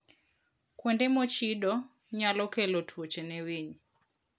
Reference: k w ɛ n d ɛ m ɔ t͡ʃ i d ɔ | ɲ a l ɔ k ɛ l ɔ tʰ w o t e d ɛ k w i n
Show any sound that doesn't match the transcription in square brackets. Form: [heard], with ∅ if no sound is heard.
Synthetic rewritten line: k w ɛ n d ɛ m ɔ t͡ʃ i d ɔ | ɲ a l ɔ k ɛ l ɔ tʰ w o [t͡ʃ] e [n] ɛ [∅] w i [ɲ]

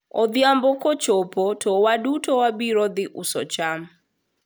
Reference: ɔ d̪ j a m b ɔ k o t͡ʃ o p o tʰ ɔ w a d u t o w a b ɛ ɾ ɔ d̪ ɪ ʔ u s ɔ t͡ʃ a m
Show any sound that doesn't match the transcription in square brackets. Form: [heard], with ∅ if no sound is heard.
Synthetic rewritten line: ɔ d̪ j a m b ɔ k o t͡ʃ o p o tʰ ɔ w a d u t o w a b [i] ɾ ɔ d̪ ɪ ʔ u s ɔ t͡ʃ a m

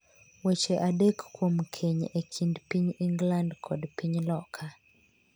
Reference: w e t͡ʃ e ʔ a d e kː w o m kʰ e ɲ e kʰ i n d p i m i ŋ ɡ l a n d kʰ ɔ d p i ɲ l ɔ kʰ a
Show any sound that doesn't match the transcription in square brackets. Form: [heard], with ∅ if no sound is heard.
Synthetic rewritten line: w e t͡ʃ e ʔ a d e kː w o m kʰ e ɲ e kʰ i n d p i [ɲ] i ŋ ɡ l a n d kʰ ɔ d p i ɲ l ɔ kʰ a

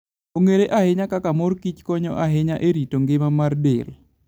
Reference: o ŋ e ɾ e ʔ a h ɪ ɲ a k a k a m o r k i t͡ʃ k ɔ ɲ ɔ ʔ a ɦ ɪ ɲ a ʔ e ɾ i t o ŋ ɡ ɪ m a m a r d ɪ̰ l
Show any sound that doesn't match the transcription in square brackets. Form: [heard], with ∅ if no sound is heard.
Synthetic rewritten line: o ŋ e ɾ e ʔ a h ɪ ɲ a k a k a m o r k i t͡ʃ k ɔ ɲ ɔ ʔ a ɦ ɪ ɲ a ʔ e ɾ i t o ŋ ɡ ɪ m a m a r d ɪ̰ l

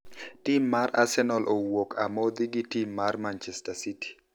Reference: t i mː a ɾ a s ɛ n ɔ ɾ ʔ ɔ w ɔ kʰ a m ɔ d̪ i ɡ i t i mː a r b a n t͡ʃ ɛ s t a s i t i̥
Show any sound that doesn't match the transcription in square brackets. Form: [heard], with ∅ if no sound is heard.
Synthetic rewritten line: t i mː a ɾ a s ɛ n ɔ [l] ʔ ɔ w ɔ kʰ a m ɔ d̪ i ɡ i t i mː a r [m] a n t͡ʃ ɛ s t a s i t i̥

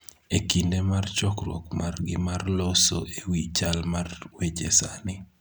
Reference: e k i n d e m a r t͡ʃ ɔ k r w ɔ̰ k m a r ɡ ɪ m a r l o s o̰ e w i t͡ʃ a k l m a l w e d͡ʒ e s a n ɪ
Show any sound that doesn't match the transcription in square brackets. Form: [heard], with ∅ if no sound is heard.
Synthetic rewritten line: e k i n d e m a r t͡ʃ ɔ k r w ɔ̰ k m a r ɡ ɪ m a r l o s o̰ e w i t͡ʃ a [∅] l m a [r] w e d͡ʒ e s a n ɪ

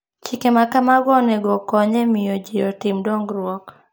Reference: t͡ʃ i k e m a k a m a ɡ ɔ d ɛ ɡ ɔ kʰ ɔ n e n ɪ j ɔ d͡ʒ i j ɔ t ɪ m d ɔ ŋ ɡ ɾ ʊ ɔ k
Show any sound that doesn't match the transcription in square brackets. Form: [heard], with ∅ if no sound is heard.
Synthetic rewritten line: t͡ʃ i k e m a k a m a ɡ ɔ [n] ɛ ɡ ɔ [k] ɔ [ɲ] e [m] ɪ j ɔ d͡ʒ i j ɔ t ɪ m d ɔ ŋ ɡ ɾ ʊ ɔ k

